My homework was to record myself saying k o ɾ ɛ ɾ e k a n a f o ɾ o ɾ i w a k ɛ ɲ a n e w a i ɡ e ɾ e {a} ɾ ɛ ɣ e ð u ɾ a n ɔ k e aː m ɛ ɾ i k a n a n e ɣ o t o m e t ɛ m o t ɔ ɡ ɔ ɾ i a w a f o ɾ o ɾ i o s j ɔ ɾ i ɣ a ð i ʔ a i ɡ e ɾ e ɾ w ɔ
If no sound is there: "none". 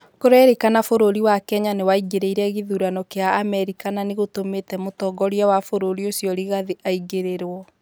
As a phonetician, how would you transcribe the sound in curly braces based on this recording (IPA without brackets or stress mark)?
i